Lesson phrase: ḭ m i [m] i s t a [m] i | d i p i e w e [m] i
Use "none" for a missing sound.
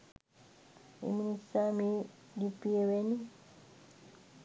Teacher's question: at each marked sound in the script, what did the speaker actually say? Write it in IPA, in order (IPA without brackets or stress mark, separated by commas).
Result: n, m, n